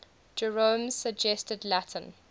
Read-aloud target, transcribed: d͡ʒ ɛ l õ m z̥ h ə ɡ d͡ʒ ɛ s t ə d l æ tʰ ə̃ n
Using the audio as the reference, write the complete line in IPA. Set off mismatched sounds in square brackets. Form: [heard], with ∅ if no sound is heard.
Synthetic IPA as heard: d͡ʒ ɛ [ɹ] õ m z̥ [s] ə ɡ d͡ʒ ɛ s t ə d l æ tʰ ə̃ n

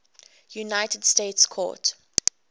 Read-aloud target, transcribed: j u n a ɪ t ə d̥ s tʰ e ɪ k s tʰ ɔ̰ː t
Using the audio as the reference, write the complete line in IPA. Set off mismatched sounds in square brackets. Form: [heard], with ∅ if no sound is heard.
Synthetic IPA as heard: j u n a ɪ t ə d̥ s [t] e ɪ [t] s [kʰ] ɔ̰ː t

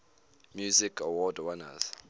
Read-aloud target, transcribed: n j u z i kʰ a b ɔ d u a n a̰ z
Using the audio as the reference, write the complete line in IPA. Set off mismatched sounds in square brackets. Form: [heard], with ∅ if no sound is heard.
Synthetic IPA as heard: [m] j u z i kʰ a [w] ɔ d [w] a n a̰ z

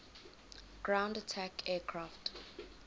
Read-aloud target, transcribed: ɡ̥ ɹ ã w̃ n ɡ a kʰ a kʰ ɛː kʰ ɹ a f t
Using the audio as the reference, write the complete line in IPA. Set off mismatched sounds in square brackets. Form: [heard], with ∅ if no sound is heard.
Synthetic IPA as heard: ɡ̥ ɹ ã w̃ n [d] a [tʰ] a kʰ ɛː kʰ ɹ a f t

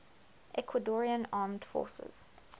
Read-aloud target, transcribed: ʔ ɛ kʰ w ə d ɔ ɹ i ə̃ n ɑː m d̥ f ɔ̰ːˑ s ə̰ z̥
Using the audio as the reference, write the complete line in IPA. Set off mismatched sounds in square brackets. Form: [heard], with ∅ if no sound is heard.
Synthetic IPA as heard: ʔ ɛ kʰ w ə d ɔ ɹ i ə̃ n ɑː m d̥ f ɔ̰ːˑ s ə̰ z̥

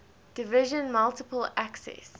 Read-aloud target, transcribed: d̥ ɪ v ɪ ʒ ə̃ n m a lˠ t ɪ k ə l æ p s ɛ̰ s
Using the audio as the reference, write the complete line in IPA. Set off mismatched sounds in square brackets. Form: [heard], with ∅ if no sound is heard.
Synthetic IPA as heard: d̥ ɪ v ɪ ʒ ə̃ n m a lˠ t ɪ [p] ə l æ [k] s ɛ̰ s

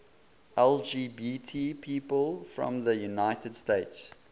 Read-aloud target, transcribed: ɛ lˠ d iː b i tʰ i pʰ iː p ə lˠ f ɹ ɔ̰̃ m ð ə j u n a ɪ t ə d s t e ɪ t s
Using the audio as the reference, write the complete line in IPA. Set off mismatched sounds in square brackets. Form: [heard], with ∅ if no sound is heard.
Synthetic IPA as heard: ɛ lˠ [d͡ʒ] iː b i tʰ i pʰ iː p ə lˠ f ɹ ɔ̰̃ m ð ə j u n a ɪ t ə d s t e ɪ t s

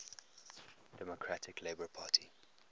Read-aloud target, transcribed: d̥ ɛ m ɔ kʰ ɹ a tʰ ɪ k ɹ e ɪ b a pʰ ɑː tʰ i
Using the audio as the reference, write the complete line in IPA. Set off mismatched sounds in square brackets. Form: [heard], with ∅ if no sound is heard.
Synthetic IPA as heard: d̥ ɛ m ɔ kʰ ɹ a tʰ ɪ k [l] e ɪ b [ə] pʰ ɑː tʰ i

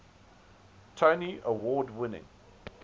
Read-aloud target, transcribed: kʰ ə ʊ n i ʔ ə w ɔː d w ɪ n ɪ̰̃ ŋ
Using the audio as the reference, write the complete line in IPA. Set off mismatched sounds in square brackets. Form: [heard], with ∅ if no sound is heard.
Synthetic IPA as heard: [tʰ] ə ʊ n i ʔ ə w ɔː d w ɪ n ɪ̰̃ ŋ

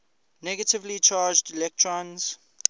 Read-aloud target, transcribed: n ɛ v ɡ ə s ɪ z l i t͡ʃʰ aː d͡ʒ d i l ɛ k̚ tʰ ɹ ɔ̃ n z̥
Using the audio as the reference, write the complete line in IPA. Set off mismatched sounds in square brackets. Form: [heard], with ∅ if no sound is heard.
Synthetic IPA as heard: n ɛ [∅] ɡ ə [t] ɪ [v] l i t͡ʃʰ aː d͡ʒ d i l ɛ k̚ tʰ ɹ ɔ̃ n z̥

